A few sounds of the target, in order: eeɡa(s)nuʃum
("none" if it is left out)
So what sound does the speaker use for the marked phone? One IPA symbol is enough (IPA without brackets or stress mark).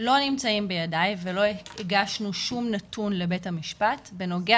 ʃ